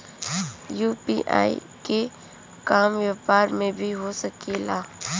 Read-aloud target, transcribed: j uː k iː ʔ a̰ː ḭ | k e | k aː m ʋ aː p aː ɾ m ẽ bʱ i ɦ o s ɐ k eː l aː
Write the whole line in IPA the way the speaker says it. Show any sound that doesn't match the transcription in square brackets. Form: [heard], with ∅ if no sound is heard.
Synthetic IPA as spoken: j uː [p] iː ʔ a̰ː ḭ | k e | k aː m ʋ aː p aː ɾ m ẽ bʱ i ɦ o s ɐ k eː l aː